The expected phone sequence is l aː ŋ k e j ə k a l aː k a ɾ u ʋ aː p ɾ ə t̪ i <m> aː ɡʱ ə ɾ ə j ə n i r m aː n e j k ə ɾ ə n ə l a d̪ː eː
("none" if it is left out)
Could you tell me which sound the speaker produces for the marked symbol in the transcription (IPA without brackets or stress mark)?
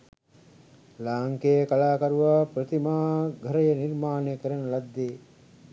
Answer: m